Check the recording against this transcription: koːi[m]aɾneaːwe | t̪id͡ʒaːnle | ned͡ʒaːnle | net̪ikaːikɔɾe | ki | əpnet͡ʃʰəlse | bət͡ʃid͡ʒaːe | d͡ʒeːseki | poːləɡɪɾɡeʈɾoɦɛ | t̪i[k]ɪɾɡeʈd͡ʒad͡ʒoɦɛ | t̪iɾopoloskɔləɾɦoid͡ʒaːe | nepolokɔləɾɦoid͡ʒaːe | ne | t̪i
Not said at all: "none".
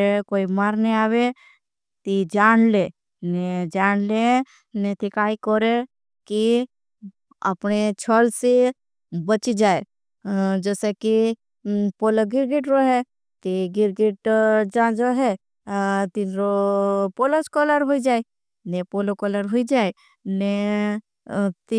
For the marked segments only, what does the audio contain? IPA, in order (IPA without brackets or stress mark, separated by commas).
m, ɡ